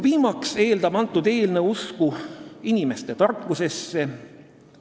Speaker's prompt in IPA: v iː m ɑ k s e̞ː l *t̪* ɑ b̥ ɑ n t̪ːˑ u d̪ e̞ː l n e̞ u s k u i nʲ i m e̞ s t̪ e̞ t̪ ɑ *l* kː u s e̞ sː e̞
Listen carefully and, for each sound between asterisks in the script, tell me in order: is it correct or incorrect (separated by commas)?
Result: incorrect, incorrect